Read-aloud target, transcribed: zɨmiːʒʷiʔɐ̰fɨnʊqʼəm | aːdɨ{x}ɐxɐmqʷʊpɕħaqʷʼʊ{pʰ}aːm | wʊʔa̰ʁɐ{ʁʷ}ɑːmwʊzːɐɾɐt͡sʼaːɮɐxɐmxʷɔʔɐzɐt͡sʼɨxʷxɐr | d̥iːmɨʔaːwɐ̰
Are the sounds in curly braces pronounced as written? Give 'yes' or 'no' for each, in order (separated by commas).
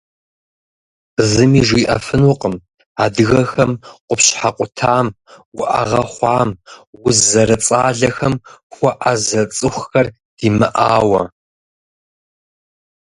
no, no, no